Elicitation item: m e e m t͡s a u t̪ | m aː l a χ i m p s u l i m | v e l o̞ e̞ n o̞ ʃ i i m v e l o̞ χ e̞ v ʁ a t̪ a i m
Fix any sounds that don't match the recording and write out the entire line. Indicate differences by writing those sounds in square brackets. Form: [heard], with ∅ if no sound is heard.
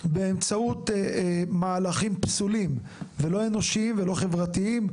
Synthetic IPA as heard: [b] e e m t͡s a u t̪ | m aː l a χ i m p s u l i m | v e l o̞ e̞ n o̞ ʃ i i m v e l o̞ χ e̞ v ʁ a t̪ [i] i m

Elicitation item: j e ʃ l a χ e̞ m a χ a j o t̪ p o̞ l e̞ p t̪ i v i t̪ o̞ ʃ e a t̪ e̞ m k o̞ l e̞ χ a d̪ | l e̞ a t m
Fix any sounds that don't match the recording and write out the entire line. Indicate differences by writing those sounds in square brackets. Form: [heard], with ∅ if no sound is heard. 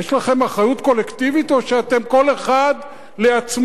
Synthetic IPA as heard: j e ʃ l a χ e̞ m a χ a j [u] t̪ [k] o̞ l e̞ [k] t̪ i v i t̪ o̞ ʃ e a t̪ e̞ m k o̞ l e̞ χ a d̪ | l e̞ a [t͡s] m

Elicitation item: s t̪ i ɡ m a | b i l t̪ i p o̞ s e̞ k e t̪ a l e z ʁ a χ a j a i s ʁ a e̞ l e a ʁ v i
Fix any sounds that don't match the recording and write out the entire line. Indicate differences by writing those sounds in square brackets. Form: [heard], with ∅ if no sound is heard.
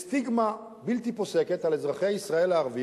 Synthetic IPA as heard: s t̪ i ɡ m a | b i l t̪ i p o̞ s e̞ k e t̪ a l e z ʁ a χ [e] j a i s ʁ a e̞ l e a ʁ v i

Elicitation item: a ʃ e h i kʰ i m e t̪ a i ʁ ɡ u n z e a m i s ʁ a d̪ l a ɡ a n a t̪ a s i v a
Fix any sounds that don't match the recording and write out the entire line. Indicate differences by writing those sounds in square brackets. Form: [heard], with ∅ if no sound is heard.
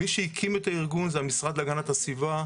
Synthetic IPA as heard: [i] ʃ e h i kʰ i m e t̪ a i ʁ ɡ u n z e a m i s ʁ a d̪ l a ɡ a n a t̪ a s i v a

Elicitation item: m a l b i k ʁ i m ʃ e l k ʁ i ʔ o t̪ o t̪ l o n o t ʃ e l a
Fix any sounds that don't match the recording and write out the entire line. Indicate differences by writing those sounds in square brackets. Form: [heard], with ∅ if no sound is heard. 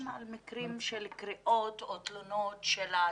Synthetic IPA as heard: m a l [m] i k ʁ i m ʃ e l k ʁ i ʔ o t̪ o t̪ l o n o t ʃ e l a

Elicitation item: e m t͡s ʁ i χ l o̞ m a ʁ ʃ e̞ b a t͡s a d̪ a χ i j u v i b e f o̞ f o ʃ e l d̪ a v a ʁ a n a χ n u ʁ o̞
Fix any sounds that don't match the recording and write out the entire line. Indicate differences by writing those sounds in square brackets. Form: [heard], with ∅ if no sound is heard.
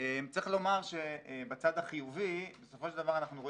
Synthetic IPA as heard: e m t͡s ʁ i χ l o̞ m a ʁ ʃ e̞ b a t͡s a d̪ a χ i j u v i b e [s] o̞ f o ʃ e l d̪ a v a ʁ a n a χ n u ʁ o̞

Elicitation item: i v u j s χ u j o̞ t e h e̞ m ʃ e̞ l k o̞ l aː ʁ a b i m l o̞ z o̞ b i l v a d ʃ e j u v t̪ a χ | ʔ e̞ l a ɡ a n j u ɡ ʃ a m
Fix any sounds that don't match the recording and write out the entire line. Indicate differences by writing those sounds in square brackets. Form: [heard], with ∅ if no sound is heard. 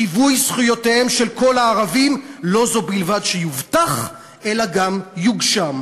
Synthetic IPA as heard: i v u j s χ u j o̞ t e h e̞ m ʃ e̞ l k o̞ l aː ʁ a [v] i m l o̞ z o̞ b i l v a d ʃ e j u v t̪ a χ | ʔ e̞ l a ɡ a [m] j u ɡ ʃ a m

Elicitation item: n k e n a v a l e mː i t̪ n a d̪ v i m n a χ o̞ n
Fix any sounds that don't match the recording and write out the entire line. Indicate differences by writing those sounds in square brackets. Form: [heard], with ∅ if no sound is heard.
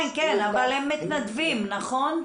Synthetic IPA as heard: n k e n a v a l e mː i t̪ n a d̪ v i m n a χ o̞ n

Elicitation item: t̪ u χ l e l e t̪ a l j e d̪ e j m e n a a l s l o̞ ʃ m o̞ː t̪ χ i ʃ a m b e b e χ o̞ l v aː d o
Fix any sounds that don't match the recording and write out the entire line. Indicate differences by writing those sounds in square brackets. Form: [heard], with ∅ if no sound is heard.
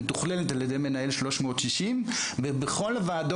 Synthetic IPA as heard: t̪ u χ l e l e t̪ a l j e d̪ e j m e n a [e] l [ʃ] l o̞ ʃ m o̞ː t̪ [ʃ] i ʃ [i] m b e b e χ o̞ l v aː d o

